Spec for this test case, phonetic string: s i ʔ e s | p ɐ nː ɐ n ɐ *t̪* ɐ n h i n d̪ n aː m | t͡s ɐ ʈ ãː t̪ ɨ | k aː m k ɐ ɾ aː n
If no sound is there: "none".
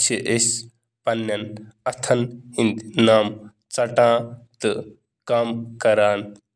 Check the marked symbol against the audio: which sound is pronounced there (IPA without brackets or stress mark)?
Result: t̪ʰ